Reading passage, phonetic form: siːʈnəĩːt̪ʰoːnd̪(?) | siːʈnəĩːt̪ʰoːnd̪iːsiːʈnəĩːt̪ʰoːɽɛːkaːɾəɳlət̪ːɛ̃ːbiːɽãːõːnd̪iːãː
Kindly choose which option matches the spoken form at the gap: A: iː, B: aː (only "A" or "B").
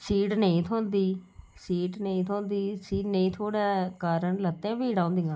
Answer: A